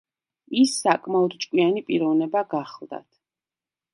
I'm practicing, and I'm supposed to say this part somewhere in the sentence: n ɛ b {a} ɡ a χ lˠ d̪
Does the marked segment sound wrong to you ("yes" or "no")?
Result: no